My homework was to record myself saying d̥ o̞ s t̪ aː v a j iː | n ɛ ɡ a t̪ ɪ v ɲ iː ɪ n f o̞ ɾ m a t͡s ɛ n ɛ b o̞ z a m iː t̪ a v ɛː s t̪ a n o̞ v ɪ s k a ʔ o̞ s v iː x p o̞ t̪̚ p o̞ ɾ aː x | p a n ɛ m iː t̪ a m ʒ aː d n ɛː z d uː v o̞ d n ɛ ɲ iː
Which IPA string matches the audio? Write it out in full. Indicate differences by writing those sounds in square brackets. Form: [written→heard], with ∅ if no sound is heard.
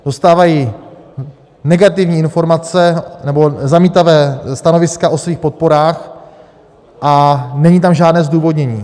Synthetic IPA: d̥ o̞ s t̪ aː v a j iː | n ɛ ɡ a t̪ ɪ v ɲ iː ɪ n f o̞ ɾ m a t͡s ɛ n ɛ b o̞ z a m iː t̪ a v ɛː s t̪ a n o̞ v ɪ s k a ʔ o̞ s v iː x p o̞ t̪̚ p o̞ ɾ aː x | [p→ʔ] a n ɛ [m→ɲ] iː t̪ a m ʒ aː d n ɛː z d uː v o̞ d [n→ɲ] ɛ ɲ iː